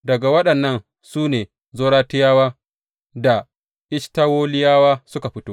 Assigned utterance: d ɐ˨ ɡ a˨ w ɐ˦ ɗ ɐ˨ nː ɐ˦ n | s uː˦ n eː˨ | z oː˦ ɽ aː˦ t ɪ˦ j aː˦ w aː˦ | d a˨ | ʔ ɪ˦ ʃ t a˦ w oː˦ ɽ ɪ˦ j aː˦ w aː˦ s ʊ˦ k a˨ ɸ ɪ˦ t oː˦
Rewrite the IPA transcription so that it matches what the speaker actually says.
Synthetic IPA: d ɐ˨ ɡ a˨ w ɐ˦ ɗ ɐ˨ nː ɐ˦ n | s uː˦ n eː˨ | z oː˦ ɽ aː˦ t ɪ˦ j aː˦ w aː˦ | d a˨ | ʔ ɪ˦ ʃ t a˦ w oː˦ l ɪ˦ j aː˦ w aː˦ s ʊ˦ k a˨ ɸ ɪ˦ t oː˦